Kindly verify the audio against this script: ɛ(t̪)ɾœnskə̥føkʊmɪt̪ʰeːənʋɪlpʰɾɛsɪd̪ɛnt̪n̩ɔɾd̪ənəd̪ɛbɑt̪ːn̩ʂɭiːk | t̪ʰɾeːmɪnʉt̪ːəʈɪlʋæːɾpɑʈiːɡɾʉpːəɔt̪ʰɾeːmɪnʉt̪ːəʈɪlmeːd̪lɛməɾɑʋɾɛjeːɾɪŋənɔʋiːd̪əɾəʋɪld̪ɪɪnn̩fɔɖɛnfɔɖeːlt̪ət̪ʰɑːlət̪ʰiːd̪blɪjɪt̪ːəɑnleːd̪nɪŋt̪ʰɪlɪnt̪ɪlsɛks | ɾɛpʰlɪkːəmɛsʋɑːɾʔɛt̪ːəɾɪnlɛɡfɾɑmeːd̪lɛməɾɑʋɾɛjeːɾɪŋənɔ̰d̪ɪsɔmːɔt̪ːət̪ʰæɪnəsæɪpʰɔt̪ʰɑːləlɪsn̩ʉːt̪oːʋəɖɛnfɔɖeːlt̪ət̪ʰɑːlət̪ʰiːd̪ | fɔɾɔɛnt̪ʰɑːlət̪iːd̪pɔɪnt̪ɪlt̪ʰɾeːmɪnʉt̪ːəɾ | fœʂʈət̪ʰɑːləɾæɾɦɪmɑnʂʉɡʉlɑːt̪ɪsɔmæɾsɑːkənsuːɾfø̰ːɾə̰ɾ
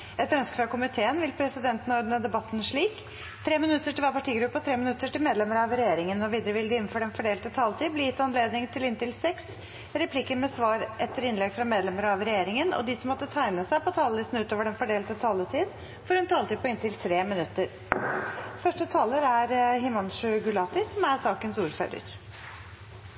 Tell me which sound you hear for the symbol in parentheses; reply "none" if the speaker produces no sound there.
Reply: t̪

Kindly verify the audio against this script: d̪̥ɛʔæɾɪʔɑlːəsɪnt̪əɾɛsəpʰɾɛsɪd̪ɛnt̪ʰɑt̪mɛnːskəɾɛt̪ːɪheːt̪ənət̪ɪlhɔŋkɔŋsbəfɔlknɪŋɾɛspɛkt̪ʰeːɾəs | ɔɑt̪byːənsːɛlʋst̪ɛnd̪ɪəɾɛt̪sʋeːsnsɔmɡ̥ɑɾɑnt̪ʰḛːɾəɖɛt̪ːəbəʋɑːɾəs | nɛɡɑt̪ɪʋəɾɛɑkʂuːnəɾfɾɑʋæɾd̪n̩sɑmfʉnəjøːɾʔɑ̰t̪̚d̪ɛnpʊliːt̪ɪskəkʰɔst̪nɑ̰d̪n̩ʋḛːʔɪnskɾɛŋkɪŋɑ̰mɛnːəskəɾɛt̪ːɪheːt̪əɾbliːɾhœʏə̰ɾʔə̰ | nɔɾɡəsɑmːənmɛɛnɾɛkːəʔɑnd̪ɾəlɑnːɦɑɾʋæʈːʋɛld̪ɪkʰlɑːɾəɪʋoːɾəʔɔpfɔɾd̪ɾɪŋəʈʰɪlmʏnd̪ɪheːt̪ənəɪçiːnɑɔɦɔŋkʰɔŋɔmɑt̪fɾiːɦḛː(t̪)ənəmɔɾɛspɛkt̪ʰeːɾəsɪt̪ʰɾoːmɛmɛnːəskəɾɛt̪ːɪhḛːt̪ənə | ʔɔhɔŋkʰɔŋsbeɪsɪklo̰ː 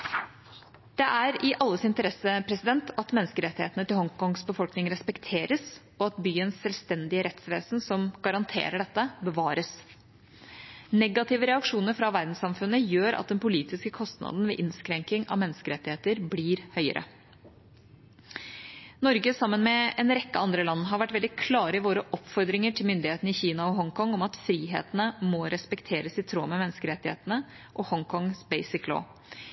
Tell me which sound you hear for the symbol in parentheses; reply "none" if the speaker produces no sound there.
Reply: t̪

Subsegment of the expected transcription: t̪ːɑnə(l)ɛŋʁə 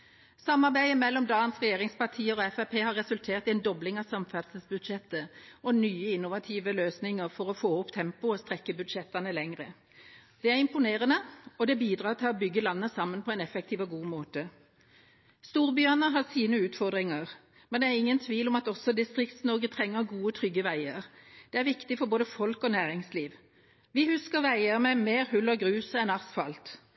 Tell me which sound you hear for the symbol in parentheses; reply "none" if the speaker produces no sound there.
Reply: l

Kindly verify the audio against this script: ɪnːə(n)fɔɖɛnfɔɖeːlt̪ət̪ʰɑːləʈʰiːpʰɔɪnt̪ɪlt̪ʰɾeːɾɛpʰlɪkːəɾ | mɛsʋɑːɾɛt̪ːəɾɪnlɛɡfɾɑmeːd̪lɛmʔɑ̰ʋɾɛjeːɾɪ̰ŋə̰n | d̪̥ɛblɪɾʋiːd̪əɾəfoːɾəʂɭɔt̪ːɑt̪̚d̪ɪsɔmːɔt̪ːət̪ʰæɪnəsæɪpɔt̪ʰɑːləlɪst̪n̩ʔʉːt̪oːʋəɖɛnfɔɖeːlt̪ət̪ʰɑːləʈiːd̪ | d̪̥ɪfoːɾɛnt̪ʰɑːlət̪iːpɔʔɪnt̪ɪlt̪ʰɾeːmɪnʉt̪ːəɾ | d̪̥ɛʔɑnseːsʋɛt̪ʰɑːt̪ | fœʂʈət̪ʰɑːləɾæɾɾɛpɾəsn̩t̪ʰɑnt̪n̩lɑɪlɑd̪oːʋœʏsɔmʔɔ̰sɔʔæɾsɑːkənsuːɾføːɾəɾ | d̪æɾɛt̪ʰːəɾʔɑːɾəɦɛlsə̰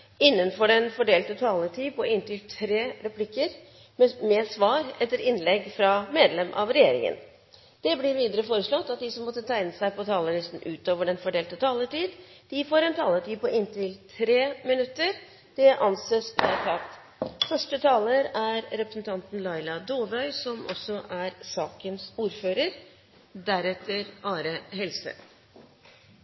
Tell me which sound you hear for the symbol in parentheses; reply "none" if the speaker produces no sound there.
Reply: n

